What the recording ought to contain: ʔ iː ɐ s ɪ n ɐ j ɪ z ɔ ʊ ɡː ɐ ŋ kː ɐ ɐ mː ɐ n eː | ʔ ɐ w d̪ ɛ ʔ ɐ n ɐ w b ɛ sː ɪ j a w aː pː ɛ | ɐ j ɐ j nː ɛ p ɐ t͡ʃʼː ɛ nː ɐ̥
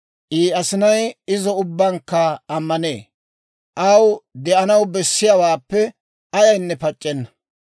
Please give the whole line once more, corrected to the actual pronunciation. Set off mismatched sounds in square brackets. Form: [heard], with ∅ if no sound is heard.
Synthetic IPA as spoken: ʔ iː ɐ s ɪ n ɐ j ɪ z ɔ ʊ [bː] ɐ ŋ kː ɐ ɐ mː ɐ n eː | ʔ ɐ w d̪ ɛ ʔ ɐ n ɐ w b ɛ sː ɪ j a w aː pː ɛ | ɐ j ɐ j nː ɛ p ɐ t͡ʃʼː ɛ nː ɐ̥